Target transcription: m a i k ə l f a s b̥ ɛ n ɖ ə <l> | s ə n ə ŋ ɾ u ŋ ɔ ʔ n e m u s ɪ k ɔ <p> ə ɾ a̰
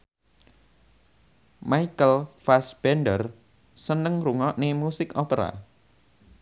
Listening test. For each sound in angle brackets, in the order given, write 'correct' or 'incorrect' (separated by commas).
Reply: incorrect, correct